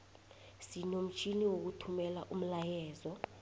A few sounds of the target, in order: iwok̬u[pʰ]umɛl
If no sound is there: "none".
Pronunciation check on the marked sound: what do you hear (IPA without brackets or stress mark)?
tʰ